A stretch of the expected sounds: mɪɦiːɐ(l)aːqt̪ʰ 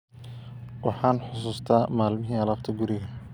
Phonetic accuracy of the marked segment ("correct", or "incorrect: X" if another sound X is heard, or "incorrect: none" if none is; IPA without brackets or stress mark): correct